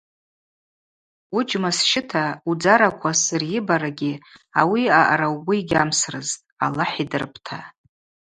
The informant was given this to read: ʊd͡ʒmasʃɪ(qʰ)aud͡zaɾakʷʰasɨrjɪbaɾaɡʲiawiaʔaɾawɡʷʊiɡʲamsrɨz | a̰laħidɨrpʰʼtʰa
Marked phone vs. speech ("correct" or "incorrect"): incorrect